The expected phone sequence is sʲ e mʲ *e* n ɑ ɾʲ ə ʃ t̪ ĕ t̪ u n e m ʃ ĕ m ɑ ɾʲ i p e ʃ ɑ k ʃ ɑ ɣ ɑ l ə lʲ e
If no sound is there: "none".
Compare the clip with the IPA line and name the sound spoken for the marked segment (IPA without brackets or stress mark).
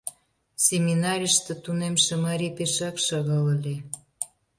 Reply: i